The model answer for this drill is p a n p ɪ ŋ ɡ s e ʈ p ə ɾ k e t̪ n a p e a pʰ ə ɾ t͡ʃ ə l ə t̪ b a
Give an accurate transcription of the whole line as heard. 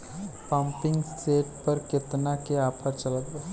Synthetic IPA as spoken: p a m p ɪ ŋ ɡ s e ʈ p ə ɾ k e t̪ n a k e a pʰ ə ɾ t͡ʃ ə l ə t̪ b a